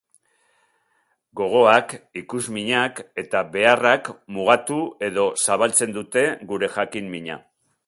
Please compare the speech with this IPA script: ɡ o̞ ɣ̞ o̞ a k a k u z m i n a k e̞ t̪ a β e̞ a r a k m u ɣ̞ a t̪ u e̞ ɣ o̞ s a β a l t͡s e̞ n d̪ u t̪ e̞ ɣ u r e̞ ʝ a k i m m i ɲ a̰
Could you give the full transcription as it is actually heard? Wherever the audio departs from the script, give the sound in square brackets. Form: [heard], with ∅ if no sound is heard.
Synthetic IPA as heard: ɡ o̞ ɣ̞ o̞ a k [i] k u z m i [ɲ] a k e̞ t̪ a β e̞ a r a k m u ɣ̞ a t̪ u e̞ [ð] o̞ s a β a l t͡s e̞ n d̪ u t̪ e̞ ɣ u [ɾ] e̞ ʝ a k i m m i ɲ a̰